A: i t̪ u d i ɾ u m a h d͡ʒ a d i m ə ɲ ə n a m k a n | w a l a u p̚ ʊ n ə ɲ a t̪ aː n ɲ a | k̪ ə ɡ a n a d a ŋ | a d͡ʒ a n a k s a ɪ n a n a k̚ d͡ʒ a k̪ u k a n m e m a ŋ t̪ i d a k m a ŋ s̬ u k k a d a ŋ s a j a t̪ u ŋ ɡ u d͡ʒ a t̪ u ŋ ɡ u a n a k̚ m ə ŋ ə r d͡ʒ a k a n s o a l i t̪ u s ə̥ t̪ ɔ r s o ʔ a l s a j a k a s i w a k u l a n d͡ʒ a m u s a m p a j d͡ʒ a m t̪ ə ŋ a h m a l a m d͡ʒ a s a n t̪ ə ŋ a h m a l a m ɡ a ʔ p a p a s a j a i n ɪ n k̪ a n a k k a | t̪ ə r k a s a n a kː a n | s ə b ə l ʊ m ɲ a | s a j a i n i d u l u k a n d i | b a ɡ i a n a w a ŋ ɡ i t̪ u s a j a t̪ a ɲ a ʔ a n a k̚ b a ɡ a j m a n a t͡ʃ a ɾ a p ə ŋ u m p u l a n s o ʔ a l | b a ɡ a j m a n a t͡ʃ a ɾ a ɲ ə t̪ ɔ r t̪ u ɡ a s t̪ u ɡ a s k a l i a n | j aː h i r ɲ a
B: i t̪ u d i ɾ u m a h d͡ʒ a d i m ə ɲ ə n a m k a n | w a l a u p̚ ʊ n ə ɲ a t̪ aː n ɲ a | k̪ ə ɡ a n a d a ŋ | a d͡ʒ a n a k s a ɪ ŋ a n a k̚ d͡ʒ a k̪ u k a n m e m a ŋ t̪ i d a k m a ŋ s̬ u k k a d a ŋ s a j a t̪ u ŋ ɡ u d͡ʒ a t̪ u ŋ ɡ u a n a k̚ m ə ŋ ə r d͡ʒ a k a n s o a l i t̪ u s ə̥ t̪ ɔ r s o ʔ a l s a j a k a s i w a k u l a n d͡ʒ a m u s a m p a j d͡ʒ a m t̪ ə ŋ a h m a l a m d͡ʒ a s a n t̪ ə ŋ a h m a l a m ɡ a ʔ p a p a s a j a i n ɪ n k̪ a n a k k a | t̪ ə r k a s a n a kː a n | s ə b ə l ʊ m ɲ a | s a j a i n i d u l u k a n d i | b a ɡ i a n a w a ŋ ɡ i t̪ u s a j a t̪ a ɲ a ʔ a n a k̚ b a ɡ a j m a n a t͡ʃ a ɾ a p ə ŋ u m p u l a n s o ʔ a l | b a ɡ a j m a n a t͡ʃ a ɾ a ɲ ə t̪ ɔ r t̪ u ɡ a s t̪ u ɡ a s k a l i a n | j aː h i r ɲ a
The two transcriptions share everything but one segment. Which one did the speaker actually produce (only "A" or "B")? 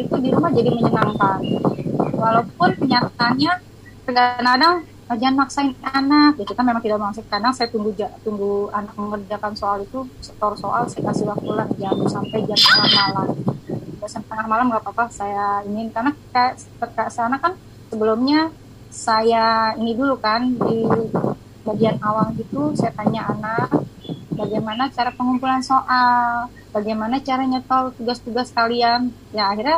A